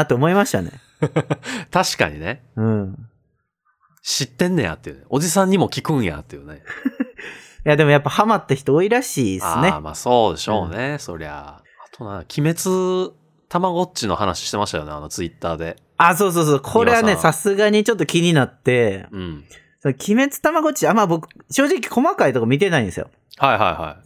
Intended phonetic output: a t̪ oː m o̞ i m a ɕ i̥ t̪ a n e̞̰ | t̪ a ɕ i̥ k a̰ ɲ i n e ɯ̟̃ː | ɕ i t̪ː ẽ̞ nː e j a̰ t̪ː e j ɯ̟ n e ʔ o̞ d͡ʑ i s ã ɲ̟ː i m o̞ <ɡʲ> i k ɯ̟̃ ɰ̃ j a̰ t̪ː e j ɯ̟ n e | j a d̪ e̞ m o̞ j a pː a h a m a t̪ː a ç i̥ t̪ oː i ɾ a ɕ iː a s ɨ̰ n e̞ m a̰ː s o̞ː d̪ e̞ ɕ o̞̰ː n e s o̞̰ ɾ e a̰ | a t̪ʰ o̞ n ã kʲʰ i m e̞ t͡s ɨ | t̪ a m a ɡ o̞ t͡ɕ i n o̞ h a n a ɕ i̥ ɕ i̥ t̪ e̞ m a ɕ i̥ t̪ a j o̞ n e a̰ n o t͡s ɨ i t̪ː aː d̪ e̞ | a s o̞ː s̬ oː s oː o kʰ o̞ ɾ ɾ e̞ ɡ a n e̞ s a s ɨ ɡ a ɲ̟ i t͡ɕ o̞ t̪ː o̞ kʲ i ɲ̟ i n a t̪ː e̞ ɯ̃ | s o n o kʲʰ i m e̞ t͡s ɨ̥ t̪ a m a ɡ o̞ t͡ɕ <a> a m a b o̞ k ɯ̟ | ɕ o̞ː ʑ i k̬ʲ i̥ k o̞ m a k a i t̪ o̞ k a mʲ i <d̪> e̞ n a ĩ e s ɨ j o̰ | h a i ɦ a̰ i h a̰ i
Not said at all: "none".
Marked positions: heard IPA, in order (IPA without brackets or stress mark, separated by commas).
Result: kʲ, i, t̪